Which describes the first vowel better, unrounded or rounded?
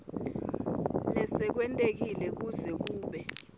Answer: unrounded